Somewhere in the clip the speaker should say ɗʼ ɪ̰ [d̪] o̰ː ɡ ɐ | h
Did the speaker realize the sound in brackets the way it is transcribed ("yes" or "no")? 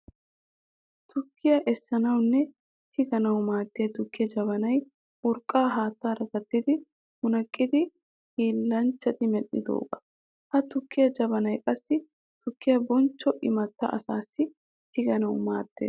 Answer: yes